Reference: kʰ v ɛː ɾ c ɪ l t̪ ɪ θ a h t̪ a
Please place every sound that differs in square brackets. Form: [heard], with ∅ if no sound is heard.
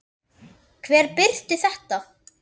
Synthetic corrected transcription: kʰ v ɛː ɾ [p] ɪ [ɾ] t̪ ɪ θ [ɛ] h t̪ a

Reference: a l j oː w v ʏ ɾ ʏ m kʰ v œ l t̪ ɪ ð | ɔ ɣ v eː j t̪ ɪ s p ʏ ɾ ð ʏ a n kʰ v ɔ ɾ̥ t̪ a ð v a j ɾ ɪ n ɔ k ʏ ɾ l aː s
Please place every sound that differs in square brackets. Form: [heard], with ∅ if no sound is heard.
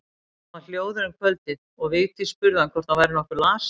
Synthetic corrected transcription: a l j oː w [ð] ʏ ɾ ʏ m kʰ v œ l t̪ ɪ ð | ɔ ɣ v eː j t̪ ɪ s p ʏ ɾ ð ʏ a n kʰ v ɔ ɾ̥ t̪ a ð v a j ɾ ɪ n ɔ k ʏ ɾ l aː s

